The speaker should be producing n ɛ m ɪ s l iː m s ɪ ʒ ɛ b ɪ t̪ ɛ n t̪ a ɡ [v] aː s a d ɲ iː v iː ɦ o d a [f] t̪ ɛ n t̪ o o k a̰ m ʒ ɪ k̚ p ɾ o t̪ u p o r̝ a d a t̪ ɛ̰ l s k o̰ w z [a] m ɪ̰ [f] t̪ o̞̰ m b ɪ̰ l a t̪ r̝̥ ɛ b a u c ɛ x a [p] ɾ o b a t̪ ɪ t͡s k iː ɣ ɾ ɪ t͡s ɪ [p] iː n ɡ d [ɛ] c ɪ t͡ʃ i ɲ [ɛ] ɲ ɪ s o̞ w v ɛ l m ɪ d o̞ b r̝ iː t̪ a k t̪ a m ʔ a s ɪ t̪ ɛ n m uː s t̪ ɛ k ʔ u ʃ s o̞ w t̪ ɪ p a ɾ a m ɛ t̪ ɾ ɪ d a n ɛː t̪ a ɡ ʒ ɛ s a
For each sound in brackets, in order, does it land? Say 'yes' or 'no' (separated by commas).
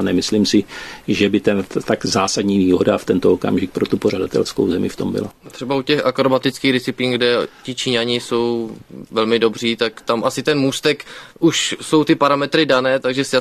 no, yes, no, yes, no, yes, yes, no